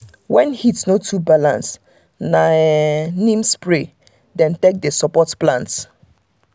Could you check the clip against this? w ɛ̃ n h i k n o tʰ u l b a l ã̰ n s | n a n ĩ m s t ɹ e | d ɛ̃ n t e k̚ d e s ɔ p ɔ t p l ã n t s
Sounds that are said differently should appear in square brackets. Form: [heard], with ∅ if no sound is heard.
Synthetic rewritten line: w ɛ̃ n h i [t] n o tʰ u [∅] b a l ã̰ n s | n a n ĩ m s [p] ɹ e | d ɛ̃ n t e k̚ d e s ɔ p ɔ t p l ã n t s